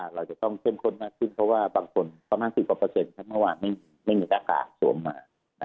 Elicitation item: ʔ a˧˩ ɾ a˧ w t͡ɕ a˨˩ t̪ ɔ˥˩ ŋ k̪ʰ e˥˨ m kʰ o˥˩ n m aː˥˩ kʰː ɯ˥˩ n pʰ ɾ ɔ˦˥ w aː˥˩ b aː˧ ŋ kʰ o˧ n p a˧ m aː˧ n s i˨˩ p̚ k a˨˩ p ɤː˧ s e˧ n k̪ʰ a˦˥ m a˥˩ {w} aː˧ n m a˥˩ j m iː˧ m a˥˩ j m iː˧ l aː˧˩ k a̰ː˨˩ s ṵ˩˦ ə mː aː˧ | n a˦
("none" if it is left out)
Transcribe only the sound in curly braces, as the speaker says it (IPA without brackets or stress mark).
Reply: w